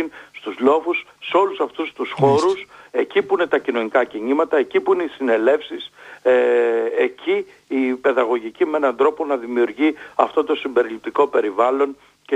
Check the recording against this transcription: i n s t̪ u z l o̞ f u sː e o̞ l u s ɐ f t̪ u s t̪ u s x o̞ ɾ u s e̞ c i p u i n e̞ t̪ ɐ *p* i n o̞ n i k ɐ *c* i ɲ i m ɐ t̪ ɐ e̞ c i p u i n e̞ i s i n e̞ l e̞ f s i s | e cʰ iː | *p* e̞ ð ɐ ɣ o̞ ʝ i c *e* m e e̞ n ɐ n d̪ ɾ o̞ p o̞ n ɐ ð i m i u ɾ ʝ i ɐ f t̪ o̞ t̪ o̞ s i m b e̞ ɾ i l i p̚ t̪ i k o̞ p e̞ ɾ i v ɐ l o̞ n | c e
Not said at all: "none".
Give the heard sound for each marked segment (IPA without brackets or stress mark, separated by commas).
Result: c, c, p, i